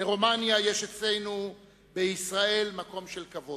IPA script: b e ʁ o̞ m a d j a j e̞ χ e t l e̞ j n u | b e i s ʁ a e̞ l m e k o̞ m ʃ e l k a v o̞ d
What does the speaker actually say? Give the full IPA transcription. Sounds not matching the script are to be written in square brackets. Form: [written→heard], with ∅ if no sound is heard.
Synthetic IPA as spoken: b e ʁ o̞ m a [d→n] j a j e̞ [χ→ʃ] e [t→t͡s] l e̞ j n u | b e i s ʁ a e̞ l m [e→a] k o̞ m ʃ e l k a v o̞ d